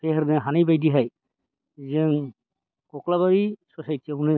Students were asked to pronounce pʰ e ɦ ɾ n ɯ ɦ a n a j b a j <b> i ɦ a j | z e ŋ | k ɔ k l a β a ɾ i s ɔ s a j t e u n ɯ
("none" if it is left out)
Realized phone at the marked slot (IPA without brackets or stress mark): d